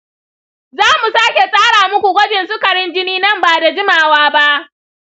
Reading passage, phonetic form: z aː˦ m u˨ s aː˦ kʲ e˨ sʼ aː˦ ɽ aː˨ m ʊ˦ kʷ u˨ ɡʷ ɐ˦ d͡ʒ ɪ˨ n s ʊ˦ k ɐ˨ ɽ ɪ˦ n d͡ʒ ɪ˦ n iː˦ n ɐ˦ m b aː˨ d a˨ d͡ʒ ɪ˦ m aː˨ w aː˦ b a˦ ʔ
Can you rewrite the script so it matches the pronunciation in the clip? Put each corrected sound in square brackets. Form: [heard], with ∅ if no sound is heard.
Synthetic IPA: z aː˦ m u˨ s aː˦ kʲ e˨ sʼ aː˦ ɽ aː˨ m ʊ˦ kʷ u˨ ɡʷ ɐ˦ d͡ʒ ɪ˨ n s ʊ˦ k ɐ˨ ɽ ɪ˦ n d͡ʒ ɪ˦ n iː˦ n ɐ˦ m b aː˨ d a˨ d͡ʒ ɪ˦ m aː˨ w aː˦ b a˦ ʔ